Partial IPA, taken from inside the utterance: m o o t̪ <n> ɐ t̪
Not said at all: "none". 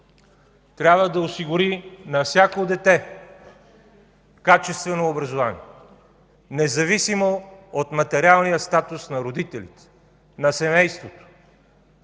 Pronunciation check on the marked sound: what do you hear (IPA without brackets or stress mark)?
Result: m